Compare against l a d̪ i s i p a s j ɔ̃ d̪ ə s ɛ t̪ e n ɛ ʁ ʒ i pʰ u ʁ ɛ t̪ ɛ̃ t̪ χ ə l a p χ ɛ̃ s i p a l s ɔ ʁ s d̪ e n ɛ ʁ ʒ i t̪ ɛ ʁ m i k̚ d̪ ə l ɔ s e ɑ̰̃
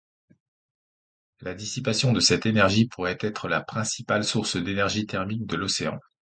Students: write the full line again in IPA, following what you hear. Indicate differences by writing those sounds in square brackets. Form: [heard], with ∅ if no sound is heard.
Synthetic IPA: l a d̪ i s i p a s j ɔ̃ d̪ ə s ɛ t̪ e n ɛ ʁ ʒ i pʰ u ʁ ɛ t̪ [ɛ] t̪ χ ə l a p χ ɛ̃ s i p a l s [u] ʁ s d̪ e n ɛ ʁ ʒ i t̪ ɛ ʁ m i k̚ d̪ ə l ɔ s e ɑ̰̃